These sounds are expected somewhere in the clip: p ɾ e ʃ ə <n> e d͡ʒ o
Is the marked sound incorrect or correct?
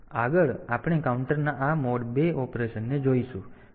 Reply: incorrect